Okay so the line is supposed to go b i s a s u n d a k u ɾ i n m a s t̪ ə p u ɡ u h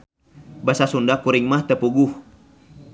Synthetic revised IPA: b a s a s u n d a k u ɾ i ŋ m a h t̪ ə p u ɡ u h